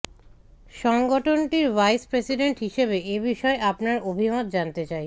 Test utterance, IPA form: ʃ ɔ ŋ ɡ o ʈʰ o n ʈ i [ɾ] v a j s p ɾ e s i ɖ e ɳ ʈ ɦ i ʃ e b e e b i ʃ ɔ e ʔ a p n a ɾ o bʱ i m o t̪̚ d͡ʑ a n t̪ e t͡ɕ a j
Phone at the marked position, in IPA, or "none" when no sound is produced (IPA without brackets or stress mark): ɾ